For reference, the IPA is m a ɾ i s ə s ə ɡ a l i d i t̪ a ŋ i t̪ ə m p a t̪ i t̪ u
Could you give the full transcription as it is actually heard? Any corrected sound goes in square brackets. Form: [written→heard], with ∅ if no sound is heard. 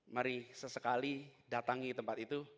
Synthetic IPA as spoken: m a ɾ i s ə s ə [ɡ→k] a l i d [i→a] t̪ a ŋ i t̪ ə m p a t̪ i t̪ u

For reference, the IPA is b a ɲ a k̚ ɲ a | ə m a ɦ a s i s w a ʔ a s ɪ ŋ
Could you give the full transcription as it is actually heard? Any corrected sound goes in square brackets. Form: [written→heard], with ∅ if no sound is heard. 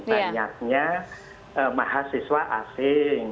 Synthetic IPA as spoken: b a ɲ a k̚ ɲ a | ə m a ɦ a s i s w a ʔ a s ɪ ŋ

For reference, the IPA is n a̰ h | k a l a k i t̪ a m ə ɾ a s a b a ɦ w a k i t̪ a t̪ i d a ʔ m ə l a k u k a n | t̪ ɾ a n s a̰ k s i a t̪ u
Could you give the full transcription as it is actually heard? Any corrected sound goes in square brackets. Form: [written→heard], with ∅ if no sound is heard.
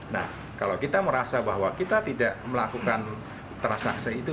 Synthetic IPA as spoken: n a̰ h | k a l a k i t̪ a m ə ɾ a s a b a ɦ w a k i t̪ a t̪ i d a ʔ m ə l a k u k a n | t̪ ɾ a n s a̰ k s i [a→i] t̪ u

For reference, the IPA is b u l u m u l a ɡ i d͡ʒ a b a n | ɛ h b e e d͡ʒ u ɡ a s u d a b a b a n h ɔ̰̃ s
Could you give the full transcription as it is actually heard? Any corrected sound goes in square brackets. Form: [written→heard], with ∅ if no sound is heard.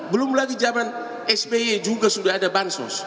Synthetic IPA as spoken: b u l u m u l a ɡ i d͡ʒ a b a n | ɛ [h→s] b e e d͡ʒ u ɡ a s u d a [b→d] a b a n [h→s] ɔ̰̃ s

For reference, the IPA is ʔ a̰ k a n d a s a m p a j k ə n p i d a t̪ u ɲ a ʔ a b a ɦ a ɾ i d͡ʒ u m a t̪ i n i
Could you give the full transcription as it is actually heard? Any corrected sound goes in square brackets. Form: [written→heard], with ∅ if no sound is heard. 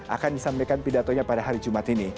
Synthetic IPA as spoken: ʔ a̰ k a n d [a→i] s a m p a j k [ə→a] n p i d a t̪ [u→o] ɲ a [ʔ→p] a [b→d] a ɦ a ɾ i d͡ʒ u m a t̪ i n i

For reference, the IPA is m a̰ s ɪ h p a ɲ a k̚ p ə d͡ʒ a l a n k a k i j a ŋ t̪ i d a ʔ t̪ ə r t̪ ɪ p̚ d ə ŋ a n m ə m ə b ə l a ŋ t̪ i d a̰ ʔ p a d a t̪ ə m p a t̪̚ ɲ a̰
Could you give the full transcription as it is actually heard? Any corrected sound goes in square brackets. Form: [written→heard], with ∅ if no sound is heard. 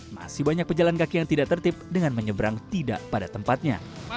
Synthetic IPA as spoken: m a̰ s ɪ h [p→b] a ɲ a k̚ p ə d͡ʒ a l a n k a k i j a ŋ t̪ i d a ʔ t̪ ə r t̪ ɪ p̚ d ə ŋ a n m ə [m→ɲ] ə b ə [l→ɾ] a ŋ t̪ i d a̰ ʔ p a d a t̪ ə m p a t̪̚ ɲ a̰

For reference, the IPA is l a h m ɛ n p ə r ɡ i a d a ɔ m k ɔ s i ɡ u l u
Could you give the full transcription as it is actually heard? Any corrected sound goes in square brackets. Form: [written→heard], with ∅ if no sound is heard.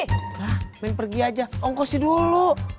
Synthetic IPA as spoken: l a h m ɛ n p ə r ɡ i a [d→d͡ʒ] a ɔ [m→ŋ] k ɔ s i [ɡ→d] u l u

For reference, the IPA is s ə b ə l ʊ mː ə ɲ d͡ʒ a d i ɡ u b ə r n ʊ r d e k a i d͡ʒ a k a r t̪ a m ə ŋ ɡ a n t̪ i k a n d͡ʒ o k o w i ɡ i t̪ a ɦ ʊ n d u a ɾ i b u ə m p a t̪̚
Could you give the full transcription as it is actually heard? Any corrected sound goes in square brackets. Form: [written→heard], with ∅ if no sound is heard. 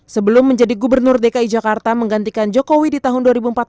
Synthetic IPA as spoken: s ə b ə l ʊ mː ə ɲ d͡ʒ a d i ɡ u b ə r n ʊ r d e k a i d͡ʒ a k a r t̪ a m ə ŋ ɡ a n t̪ i k a n d͡ʒ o k o w i [ɡ→d] i t̪ a ɦ ʊ n d u a ɾ i b u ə m p a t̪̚

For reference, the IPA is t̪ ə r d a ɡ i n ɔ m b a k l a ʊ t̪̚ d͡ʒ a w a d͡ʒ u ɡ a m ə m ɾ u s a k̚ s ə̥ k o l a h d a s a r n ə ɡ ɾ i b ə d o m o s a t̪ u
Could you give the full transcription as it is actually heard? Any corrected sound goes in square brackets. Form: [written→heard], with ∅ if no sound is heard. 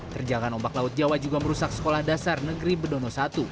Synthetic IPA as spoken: t̪ ə r [d→d͡ʒ] a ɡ [i→a] n ɔ m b a k l a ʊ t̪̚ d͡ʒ a w a d͡ʒ u ɡ a m ə [m→∅] ɾ u s a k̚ s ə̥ k o l a h d a s a r n ə ɡ ɾ i b ə d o [m→n] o s a t̪ u

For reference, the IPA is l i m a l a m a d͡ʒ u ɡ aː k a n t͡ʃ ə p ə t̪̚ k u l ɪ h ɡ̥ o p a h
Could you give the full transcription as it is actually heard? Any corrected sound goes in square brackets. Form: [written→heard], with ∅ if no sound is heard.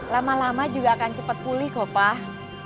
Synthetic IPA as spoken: l [i→a] m a l a m a d͡ʒ u ɡ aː k a n t͡ʃ ə p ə t̪̚ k u l ɪ h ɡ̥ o p a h

